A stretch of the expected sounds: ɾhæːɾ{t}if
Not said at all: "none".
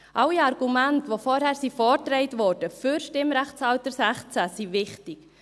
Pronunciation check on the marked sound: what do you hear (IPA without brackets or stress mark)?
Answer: s